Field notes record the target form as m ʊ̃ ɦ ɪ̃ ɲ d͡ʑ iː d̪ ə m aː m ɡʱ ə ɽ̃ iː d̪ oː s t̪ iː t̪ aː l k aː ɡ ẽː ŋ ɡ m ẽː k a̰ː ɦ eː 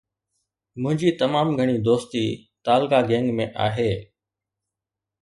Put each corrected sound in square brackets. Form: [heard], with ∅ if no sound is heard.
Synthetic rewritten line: m ʊ̃ ɦ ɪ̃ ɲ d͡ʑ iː [t̪] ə m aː m ɡʱ ə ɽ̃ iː d̪ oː s t̪ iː t̪ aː l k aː ɡ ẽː ŋ ɡ m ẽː [ʔ] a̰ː ɦ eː